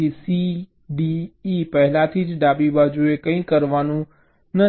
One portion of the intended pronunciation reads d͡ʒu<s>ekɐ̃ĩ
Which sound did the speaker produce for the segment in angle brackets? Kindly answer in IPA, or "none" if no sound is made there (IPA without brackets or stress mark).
none